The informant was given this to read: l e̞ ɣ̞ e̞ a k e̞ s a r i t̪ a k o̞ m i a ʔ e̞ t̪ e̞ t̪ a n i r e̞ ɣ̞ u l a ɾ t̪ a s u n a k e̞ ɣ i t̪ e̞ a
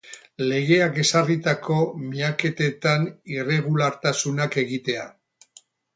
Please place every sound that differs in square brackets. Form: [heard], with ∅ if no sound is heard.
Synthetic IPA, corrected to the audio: l e̞ ɣ̞ e̞ a k e̞ s a r i t̪ a k o̞ m i a [k] e̞ t̪ e̞ t̪ a n i r e̞ ɣ̞ u l a ɾ t̪ a s u n a k e̞ ɣ i t̪ e̞ a